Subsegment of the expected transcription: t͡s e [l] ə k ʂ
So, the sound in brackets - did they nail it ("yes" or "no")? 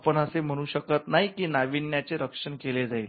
no